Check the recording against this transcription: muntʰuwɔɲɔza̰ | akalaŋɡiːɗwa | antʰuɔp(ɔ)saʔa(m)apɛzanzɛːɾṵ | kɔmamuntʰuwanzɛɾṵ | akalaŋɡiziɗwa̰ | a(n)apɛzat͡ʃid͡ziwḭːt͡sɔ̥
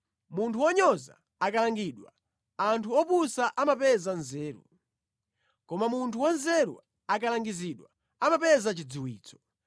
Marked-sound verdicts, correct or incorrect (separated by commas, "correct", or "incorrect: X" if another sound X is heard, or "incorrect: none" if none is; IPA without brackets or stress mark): incorrect: u, correct, incorrect: m